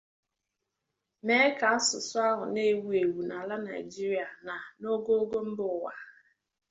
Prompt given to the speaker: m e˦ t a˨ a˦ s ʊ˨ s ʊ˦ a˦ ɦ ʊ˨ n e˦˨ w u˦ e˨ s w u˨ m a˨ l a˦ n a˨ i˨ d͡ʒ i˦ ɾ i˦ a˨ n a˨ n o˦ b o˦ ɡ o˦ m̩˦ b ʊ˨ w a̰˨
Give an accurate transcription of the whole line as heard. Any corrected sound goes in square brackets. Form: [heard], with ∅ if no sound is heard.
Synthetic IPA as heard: m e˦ [k] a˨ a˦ s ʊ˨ s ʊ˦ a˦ ɦ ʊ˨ n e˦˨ w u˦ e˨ [∅] w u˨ [n] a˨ l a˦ n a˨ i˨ d͡ʒ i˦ ɾ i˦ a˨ n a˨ n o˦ [ɡ] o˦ ɡ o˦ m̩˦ b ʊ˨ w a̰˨